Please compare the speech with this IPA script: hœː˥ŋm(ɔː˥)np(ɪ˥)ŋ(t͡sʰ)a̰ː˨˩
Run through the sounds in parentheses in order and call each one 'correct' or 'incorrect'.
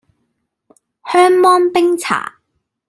correct, correct, correct

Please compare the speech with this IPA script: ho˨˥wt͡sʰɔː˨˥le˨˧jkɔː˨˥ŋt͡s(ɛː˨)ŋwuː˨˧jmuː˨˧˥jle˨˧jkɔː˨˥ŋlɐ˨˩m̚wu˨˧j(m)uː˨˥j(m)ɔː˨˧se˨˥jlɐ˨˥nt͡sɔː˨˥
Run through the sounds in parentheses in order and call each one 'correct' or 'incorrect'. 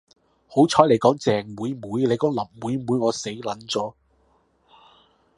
correct, correct, incorrect

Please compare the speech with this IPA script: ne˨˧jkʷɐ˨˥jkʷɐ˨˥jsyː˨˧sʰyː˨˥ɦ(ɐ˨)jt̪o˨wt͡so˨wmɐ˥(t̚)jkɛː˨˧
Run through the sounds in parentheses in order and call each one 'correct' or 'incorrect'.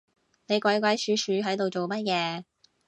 incorrect, correct

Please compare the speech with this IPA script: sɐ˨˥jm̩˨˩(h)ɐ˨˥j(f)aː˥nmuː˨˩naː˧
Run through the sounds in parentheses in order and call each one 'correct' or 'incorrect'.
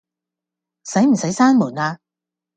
incorrect, incorrect

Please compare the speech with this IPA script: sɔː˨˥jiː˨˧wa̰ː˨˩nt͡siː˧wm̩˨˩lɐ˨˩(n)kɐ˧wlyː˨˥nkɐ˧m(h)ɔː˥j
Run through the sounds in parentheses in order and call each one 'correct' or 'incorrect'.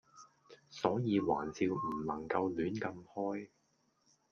incorrect, correct

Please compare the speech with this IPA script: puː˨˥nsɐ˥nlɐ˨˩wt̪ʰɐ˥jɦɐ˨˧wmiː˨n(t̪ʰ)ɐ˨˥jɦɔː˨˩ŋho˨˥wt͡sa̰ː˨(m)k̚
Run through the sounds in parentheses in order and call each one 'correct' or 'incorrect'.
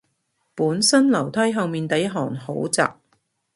incorrect, incorrect

